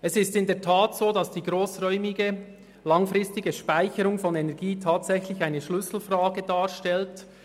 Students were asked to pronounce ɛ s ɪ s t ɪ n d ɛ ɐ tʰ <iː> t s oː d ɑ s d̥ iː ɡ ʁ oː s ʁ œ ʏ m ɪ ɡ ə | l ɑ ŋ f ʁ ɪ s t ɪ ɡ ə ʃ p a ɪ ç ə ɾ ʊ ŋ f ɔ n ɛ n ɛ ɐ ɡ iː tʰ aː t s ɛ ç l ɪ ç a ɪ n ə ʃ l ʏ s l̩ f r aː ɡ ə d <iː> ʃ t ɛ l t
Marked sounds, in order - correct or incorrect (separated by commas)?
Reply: incorrect, incorrect